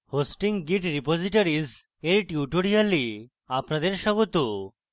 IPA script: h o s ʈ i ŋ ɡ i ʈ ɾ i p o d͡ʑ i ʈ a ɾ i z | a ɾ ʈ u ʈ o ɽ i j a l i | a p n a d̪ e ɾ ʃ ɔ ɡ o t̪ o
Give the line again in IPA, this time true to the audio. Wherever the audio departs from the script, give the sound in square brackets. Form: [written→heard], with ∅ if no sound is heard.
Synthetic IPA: h o s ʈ i ŋ ɡ i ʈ ɾ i p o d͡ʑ i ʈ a ɾ i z | [a→e] ɾ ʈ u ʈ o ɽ i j a l i | a p n a d̪ e ɾ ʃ ɔ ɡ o t̪ o